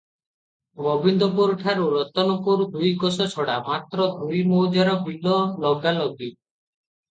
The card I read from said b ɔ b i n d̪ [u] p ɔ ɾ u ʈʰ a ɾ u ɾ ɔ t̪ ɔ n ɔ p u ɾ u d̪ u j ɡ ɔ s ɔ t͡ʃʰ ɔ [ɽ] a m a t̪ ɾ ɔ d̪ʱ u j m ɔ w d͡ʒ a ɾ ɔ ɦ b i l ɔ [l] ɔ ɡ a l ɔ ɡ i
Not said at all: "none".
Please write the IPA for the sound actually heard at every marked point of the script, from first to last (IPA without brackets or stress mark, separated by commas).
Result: ɔ, ɽ, l